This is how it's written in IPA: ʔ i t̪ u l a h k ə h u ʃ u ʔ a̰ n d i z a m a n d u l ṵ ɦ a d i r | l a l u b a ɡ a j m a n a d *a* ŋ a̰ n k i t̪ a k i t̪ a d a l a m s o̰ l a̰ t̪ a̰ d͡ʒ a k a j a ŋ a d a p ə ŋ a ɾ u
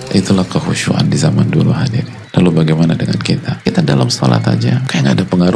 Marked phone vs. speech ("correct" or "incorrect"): incorrect